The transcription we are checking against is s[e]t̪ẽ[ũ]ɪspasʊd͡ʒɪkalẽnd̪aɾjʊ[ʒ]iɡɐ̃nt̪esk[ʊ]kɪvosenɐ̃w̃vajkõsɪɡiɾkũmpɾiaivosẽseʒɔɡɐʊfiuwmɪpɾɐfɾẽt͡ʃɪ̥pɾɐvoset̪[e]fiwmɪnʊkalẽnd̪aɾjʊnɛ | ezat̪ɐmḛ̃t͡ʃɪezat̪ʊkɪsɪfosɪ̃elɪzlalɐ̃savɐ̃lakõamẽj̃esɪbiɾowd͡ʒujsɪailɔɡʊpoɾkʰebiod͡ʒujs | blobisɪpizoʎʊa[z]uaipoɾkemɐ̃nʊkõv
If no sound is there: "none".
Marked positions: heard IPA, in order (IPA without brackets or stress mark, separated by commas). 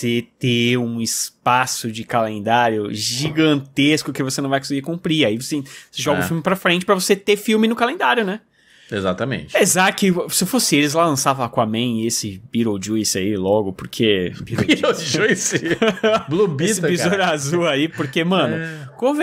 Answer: e, ũ, ʒ, ʊ, e, z